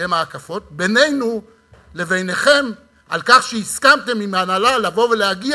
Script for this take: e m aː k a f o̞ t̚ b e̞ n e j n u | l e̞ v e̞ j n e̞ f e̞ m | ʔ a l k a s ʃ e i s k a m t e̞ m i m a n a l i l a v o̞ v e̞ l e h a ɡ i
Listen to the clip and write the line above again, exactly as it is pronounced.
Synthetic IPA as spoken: e m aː k a f o̞ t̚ b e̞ n e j n u | l e̞ v e̞ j n e̞ χ e̞ m | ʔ a l k a χ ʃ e i s k a m t e̞ m i m a n a l a l a v o̞ v e̞ l e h a ɡ i